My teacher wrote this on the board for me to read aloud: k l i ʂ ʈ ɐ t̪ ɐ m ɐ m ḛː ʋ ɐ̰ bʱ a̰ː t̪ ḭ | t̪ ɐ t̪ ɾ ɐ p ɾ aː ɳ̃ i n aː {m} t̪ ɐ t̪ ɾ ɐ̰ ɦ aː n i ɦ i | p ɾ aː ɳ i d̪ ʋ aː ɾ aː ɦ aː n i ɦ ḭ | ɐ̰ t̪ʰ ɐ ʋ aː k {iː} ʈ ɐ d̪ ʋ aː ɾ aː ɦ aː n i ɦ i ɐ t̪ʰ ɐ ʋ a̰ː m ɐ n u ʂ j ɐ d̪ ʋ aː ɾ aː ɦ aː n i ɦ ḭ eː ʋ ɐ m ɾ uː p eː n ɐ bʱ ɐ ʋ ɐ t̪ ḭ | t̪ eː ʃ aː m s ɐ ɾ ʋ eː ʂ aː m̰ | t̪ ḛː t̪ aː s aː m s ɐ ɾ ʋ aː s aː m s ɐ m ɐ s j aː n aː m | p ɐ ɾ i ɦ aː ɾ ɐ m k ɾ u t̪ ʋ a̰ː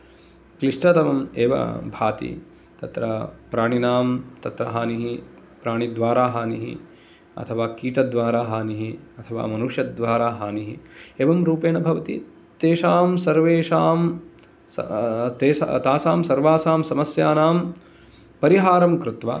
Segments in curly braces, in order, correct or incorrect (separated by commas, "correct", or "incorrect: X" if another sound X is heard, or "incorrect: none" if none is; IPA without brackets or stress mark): correct, correct